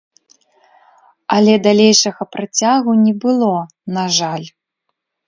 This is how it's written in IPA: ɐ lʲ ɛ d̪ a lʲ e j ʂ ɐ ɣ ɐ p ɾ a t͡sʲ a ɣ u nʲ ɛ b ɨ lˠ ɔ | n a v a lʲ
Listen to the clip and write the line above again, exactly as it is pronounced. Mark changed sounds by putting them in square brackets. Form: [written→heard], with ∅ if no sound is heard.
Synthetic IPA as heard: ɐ lʲ ɛ d̪ a lʲ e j ʂ ɐ ɣ ɐ p ɾ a t͡sʲ a ɣ u nʲ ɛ b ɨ lˠ ɔ | n a [v→ʐ] a lʲ